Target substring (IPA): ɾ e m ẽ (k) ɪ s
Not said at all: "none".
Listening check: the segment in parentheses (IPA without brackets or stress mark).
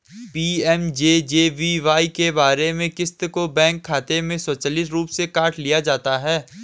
k